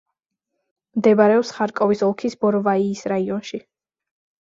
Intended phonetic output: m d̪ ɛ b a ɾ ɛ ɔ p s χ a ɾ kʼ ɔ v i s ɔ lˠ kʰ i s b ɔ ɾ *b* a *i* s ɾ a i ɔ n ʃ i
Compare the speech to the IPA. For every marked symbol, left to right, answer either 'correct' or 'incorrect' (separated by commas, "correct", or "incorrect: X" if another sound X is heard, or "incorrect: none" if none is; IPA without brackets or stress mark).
incorrect: v, incorrect: iː